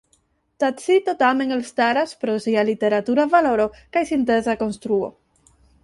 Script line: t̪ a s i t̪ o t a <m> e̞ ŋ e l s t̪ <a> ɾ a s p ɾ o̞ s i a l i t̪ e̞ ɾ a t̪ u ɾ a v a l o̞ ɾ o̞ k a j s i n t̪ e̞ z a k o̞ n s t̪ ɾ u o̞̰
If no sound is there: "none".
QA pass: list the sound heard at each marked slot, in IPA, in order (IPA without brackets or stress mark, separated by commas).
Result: m, a